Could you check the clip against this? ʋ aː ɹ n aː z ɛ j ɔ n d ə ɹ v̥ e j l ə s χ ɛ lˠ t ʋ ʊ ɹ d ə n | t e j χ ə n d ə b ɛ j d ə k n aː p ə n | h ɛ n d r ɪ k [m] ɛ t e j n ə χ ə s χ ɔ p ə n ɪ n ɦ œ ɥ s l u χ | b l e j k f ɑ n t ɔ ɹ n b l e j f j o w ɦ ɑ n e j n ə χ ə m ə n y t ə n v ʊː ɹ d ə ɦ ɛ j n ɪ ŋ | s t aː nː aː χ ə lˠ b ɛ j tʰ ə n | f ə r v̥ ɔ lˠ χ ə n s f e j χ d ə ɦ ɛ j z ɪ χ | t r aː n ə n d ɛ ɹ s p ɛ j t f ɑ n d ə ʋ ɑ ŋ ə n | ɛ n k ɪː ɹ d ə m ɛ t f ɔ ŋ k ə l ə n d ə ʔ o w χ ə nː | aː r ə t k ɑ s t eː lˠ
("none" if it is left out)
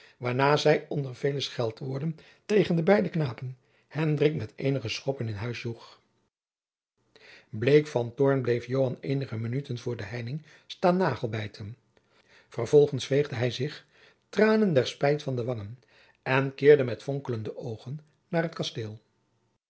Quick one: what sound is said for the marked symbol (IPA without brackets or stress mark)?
m